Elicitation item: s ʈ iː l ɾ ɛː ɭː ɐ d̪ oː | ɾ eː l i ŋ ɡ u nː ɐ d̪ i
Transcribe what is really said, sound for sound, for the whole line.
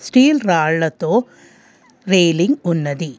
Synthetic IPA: s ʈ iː l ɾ aː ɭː ɐ t̪ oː | ɾ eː l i ŋ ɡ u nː ɐ d̪ i